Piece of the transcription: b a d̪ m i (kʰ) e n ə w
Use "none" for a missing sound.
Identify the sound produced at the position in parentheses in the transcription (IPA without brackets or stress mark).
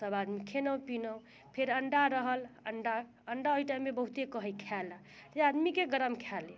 kʰ